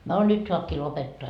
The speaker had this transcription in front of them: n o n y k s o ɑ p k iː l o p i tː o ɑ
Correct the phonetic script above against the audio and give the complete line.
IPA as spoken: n o n y t s o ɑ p k iː l o p e tː o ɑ